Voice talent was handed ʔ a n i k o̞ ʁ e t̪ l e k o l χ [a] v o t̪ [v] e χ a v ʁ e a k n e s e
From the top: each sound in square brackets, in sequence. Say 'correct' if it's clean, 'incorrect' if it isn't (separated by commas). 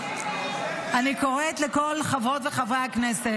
correct, correct